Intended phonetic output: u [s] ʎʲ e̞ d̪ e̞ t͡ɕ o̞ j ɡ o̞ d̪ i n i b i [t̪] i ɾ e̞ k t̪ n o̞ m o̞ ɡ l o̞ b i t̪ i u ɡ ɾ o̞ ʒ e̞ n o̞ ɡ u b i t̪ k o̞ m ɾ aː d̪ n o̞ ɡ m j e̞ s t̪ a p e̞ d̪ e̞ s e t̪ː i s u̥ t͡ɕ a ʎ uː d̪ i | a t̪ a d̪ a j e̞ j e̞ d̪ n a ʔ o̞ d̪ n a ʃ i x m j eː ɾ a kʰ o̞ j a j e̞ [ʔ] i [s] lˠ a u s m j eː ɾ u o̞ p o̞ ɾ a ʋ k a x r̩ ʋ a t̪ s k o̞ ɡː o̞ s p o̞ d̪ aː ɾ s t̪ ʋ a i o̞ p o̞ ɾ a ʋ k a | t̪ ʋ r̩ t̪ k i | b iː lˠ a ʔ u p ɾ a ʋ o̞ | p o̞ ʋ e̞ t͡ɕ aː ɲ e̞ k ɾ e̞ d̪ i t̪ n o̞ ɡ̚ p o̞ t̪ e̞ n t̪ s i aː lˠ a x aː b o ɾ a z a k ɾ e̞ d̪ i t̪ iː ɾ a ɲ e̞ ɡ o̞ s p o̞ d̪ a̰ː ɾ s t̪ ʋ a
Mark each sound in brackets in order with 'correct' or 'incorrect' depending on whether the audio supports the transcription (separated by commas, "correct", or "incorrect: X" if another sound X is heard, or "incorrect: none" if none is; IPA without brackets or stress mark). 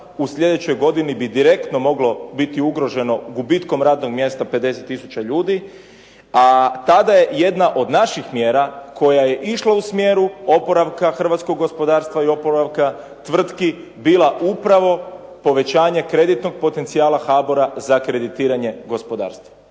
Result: correct, incorrect: d̪, correct, incorrect: ʃ